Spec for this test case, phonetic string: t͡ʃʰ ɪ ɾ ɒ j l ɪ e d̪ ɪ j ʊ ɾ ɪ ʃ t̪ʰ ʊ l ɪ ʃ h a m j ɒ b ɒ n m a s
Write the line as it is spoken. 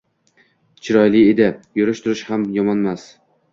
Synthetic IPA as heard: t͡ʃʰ ɪ ɾ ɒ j l ɪ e d̪ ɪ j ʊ ɾ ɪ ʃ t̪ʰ ʊ ɾ ɪ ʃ h a m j ɒ m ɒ n m a s